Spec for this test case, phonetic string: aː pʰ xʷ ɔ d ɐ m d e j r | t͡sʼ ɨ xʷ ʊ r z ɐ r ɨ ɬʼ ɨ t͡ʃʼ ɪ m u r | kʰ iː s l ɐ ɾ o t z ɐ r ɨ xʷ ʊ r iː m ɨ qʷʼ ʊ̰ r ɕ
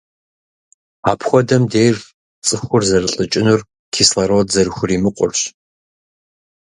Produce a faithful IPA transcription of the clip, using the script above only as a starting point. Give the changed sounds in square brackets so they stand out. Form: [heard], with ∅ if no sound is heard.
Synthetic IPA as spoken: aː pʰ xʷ ɔ d ɐ m d e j r | t͡sʼ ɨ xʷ ʊ r z ɐ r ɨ ɬʼ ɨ t͡ʃʼ ɪ [n] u r | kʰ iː s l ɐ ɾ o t z ɐ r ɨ xʷ ʊ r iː m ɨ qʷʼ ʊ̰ r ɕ